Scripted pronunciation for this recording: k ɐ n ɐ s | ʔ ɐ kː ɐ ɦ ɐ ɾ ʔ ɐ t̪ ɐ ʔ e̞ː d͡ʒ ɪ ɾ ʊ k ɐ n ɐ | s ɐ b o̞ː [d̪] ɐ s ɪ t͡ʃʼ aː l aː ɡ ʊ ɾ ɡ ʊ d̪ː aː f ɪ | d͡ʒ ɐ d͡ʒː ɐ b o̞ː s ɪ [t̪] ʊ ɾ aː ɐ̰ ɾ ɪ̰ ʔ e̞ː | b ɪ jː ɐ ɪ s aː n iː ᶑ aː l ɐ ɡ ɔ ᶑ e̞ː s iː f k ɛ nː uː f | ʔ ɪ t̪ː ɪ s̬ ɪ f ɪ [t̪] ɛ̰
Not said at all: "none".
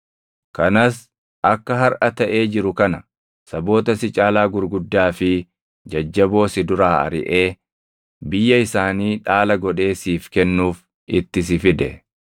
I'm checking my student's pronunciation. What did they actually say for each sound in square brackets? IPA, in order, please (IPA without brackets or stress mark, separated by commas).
t̪, d̪, d̪